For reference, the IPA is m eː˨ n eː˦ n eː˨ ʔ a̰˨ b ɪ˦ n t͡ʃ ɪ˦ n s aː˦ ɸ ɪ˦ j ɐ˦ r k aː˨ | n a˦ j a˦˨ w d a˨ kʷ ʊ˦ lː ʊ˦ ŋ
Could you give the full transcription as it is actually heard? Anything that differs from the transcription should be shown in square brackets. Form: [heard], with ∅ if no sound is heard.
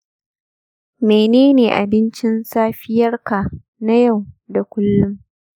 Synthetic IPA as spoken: m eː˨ n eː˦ n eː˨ ʔ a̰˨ b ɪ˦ n t͡ʃ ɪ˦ n s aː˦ ɸ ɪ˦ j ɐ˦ r k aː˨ | n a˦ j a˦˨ w d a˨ kʷ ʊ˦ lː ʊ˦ [m]